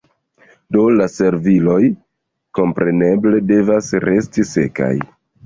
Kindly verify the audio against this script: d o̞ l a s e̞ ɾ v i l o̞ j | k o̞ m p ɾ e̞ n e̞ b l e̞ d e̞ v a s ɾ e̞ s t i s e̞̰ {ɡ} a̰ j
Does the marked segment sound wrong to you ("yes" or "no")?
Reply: yes